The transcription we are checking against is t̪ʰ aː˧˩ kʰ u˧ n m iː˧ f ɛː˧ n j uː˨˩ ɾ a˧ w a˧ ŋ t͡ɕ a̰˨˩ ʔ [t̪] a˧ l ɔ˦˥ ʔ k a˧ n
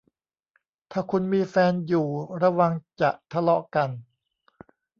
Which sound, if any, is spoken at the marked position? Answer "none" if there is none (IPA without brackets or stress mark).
t̪ʰ